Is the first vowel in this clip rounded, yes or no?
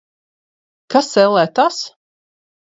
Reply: no